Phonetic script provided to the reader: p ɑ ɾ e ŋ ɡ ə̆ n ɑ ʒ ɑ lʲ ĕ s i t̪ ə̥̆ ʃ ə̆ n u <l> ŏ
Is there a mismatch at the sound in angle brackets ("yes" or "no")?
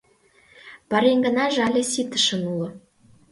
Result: no